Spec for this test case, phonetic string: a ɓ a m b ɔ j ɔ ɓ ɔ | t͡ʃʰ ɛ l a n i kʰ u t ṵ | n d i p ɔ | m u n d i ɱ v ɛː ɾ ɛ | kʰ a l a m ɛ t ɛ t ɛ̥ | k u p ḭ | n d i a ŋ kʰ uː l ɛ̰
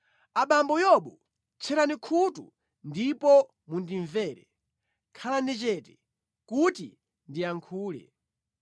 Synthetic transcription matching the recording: a ɓ a m b ɔ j ɔ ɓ ɔ | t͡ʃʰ ɛ ɾ a n i kʰ u t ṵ | n d i p ɔ | m u n d i ɱ v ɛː ɾ ɛ | kʰ a l a n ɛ t͡ʃ ɛ t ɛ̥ | k u t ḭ | n d i a ŋ kʰ uː l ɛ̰